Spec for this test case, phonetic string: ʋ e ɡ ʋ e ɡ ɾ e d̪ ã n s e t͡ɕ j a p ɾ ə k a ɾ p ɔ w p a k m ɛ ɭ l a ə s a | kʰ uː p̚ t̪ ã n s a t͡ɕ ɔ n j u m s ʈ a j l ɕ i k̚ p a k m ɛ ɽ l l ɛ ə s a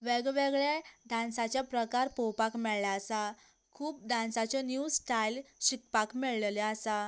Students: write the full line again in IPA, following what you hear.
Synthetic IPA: ʋ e ɡ ʋ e ɡ ɭ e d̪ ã n s a t͡ɕ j a p ɾ ə k a ɾ p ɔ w p a k m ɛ ɭ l a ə s a | kʰ uː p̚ d̪ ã n s a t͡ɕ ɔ n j u s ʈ a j l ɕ i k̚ p a k m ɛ ɭ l l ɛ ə s a